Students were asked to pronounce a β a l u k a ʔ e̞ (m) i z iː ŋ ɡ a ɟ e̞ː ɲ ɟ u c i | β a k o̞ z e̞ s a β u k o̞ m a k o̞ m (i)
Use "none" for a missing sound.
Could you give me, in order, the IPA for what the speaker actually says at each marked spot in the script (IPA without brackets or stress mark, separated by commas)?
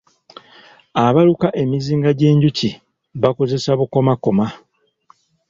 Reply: m, a